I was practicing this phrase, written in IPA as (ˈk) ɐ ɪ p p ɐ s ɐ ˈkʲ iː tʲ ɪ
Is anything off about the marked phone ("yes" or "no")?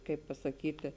no